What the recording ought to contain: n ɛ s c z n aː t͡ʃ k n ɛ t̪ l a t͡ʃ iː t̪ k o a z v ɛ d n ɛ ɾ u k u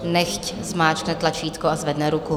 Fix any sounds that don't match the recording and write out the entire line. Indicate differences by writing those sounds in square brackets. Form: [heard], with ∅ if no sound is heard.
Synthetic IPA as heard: n ɛ [x] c z [m] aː t͡ʃ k n ɛ t̪ l a t͡ʃ iː t̪ k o a z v ɛ d n ɛ ɾ u k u

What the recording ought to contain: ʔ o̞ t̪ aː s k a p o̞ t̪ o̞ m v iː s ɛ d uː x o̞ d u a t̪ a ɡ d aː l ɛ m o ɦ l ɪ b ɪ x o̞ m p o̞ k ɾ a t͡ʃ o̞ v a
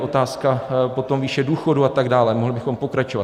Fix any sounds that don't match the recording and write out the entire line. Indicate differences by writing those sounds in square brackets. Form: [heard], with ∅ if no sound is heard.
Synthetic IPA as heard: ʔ o̞ t̪ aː s k a p o̞ t̪ o̞ m v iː [ʃ] ɛ d uː x o̞ d u a t̪ a ɡ d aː l ɛ m o ɦ l ɪ b ɪ x o̞ m p o̞ k ɾ a t͡ʃ o̞ v a

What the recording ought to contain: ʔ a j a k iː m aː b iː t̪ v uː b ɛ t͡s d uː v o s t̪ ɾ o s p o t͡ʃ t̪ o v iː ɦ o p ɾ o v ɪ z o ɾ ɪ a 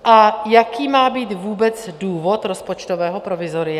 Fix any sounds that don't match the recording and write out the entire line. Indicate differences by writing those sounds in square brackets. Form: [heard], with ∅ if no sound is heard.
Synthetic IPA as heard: ʔ a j a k iː m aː b iː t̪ v uː b ɛ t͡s d uː v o [∅] t̪ ɾ o s p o t͡ʃ t̪ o v [ɛː] ɦ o p ɾ o v ɪ z o ɾ ɪ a

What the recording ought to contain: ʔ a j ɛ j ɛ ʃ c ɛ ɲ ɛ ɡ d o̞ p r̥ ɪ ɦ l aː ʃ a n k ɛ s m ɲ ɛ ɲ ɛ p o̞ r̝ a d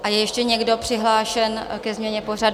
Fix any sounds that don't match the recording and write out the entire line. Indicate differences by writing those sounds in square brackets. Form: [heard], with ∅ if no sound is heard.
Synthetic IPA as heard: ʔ a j ɛ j ɛ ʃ c ɛ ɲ ɛ ɡ d o̞ p r̥ ɪ ɦ l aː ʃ [ɛ] n k ɛ [z] m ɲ ɛ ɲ ɛ p o̞ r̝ a d

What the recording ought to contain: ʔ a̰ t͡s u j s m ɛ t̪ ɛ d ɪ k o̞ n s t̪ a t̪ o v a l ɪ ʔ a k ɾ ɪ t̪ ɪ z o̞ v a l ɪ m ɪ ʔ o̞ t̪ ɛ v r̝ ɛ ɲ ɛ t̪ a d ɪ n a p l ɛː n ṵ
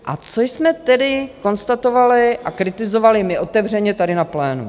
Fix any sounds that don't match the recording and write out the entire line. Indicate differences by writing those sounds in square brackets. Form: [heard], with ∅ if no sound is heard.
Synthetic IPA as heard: ʔ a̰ t͡s [o] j s m ɛ t̪ ɛ d ɪ k o̞ n s t̪ a t̪ o v a l ɪ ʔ a k ɾ ɪ t̪ ɪ z o̞ v a l ɪ m ɪ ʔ o̞ t̪ ɛ v r̝ ɛ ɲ ɛ t̪ a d ɪ n a p l ɛː n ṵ

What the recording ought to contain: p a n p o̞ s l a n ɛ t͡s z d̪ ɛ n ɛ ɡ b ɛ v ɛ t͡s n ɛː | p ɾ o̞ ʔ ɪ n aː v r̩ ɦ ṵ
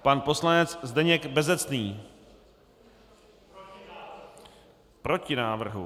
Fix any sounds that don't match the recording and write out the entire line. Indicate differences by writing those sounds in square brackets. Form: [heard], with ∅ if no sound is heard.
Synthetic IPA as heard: p a n p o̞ s l a n ɛ t͡s z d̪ ɛ [ɲ] ɛ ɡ b ɛ [z] ɛ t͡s n [iː] | p ɾ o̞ [c] ɪ n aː v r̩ ɦ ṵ

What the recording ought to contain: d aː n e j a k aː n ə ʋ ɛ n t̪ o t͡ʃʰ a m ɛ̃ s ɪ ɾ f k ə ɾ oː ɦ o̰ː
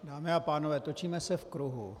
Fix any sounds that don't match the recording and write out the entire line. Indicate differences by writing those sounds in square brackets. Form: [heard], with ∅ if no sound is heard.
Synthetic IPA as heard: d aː [m] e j a [p] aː n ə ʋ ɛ [∅] t̪ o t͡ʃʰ [i] m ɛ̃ s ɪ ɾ f k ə ɾ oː ɦ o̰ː

